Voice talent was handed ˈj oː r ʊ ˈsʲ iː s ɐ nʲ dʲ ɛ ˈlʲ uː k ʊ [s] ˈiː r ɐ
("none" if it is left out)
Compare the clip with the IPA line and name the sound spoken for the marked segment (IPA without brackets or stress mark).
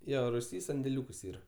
s